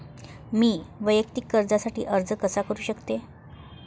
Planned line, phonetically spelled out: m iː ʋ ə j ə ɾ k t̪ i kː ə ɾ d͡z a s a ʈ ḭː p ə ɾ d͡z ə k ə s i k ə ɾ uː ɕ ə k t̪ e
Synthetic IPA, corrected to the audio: m iː ʋ ə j ə k t̪ i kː ə ɾ d͡z a s a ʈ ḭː ʔ ə ɾ d͡z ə k ə s a k ə ɾ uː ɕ ə k t̪ e